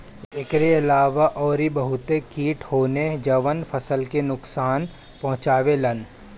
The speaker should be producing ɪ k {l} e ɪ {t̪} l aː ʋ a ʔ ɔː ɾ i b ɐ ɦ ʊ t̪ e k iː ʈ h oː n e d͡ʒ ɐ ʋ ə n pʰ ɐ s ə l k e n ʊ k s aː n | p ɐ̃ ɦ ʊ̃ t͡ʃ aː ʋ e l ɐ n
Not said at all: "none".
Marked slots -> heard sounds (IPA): ɾ, none

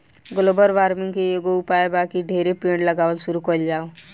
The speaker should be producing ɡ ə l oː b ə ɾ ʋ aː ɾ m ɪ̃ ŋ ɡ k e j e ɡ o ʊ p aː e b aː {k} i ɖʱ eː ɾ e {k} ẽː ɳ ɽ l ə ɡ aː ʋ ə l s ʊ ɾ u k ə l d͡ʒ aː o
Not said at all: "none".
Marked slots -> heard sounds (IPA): k, p

